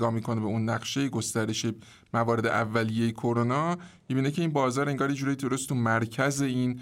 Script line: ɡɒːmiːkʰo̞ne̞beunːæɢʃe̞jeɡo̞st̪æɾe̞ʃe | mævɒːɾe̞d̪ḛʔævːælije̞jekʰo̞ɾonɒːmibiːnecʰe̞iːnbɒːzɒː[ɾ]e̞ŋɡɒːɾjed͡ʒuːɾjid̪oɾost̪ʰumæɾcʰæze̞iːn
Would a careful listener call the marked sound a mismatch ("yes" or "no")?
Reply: no